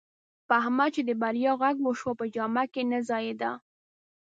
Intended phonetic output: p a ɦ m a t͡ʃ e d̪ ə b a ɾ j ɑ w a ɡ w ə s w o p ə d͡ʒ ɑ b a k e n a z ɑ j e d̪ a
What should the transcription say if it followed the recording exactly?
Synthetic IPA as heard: p a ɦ m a t͡ʃ e d̪ ə b a ɾ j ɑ ɣ a ɡ w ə ʃ w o p ə d͡ʒ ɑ m a k e n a z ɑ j e d̪ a